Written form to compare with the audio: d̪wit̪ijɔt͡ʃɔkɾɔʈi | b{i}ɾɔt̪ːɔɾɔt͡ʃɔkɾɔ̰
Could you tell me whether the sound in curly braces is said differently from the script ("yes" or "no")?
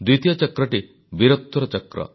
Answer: no